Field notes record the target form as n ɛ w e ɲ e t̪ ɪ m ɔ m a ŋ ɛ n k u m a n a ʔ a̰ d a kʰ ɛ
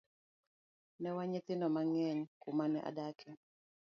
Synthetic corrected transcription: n ɛ w a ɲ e t̪ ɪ n ɔ m a ŋ ɛ ɲ k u m a n ɛ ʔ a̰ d a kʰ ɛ